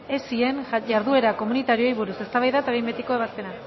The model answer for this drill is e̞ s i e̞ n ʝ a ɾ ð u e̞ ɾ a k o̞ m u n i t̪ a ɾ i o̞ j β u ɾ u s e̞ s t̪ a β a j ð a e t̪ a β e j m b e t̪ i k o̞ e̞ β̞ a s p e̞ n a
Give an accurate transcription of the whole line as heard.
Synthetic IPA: e̞ s i e̞ n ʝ a ɾ ð u e̞ ɾ a k o̞ m u n i t̪ a ɾ i o̞ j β u ɾ u s e̞ s t̪ a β a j ð a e t̪ a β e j m b e t̪ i k o̞ e̞ β̞ a s p e̞ n a